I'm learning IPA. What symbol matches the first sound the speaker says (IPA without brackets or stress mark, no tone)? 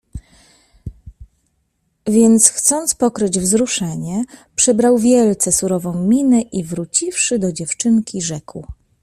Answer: vʲ